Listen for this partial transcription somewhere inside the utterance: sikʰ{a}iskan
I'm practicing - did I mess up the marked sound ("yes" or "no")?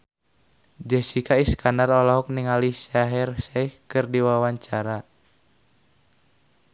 no